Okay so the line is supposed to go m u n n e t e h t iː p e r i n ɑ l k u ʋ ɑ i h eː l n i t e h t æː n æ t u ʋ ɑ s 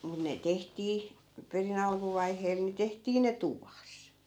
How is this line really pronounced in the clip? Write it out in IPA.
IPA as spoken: m u n n e t e h t iː p e r i n ɑ l k u ʋ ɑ i h eː l n i t e h t iː n e t u ʋ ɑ s